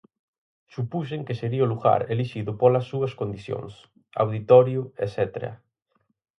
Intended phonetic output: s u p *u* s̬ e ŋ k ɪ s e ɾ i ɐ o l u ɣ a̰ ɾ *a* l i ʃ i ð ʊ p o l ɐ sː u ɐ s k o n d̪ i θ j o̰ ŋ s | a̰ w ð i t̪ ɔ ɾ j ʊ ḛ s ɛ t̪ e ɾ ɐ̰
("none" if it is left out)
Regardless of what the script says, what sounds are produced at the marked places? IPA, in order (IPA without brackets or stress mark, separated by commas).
u, e